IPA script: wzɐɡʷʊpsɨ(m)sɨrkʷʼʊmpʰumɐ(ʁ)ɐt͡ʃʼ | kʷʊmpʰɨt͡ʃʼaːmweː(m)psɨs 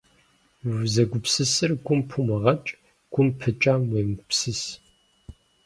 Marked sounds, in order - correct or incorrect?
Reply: incorrect: none, correct, correct

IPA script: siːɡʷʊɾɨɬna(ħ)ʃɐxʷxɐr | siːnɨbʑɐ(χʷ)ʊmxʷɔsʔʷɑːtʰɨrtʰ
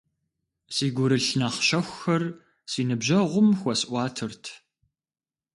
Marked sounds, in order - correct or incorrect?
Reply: incorrect: χ, incorrect: ʁʷ

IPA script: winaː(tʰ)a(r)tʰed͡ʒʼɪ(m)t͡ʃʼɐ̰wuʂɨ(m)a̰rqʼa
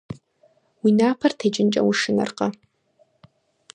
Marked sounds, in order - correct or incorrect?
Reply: incorrect: pʰ, correct, incorrect: n, incorrect: n

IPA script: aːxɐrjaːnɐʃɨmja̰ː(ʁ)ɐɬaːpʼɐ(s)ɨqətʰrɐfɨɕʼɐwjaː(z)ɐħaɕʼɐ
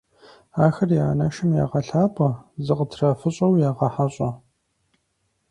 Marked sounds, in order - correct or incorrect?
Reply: correct, incorrect: z, incorrect: ʁ

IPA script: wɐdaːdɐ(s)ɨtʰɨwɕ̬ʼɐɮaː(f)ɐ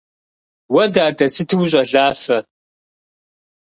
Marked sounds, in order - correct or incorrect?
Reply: correct, correct

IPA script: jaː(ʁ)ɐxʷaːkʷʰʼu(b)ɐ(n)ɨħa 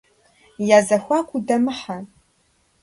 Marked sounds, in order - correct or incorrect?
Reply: incorrect: z, incorrect: d, incorrect: m

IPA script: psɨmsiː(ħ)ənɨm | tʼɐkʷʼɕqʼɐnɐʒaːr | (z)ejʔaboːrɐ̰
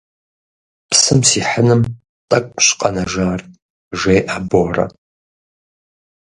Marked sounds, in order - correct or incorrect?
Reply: correct, incorrect: ʒ

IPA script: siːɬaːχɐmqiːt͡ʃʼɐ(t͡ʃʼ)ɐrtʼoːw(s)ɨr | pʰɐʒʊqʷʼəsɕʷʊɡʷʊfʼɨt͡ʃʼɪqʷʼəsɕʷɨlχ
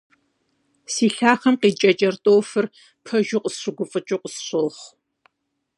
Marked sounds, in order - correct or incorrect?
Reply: correct, incorrect: f

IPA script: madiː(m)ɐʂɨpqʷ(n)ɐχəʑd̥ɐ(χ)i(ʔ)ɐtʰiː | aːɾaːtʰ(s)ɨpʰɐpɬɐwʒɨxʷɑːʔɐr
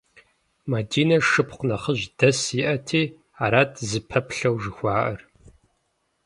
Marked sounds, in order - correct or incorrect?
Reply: incorrect: n, correct, incorrect: s, correct, incorrect: z

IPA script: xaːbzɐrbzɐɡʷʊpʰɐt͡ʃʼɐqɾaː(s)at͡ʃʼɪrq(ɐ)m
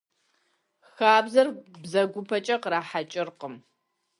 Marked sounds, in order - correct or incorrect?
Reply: incorrect: ħ, incorrect: ə

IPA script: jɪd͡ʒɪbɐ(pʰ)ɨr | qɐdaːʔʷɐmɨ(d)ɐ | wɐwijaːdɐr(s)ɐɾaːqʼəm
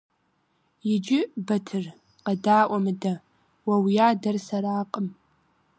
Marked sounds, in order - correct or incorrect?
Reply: incorrect: tʰ, correct, correct

